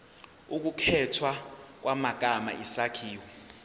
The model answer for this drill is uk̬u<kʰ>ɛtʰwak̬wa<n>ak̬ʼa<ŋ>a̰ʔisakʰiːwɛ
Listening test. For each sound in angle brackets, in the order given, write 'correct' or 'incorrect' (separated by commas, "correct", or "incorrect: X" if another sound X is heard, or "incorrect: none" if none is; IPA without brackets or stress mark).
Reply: correct, incorrect: m, incorrect: m